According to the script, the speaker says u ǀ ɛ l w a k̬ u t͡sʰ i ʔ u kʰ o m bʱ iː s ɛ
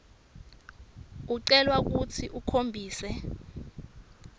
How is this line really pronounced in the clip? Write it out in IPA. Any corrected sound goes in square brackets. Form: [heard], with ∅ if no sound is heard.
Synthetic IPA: u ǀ ɛ l w a k̬ u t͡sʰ i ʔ u kʰ o m bʱ iː s ɛ